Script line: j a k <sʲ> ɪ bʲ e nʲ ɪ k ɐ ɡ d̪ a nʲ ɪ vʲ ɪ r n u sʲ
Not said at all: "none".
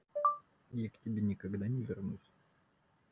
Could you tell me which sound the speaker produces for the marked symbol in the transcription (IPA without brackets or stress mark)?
tʲ